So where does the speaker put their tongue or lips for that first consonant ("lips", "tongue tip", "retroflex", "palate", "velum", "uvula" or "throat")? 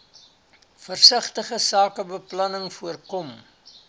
lips